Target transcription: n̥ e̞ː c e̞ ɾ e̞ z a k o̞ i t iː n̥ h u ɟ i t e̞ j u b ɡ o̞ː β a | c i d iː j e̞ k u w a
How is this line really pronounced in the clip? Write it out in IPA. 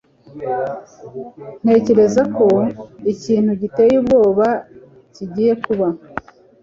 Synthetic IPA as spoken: n̥ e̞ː c e̞ ɾ e̞ z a k o̞ i c iː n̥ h u ɟ i t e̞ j u b ɡ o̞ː β a | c i ɟ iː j e̞ k u β a